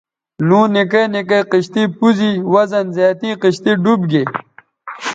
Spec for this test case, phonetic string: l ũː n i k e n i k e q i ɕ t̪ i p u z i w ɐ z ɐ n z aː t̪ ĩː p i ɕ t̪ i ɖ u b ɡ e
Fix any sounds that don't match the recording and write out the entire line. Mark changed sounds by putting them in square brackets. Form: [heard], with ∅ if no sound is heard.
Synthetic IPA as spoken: l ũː n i k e n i k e q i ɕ t̪ i p u z i w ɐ z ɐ n z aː t̪ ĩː [q] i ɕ t̪ i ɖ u b ɡ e